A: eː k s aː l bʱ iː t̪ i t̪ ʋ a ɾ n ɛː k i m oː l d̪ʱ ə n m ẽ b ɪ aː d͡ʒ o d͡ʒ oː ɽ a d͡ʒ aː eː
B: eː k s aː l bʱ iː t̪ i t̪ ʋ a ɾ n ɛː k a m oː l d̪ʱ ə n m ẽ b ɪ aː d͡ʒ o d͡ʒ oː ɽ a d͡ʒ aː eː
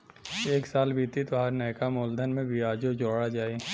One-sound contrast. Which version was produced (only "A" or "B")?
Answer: B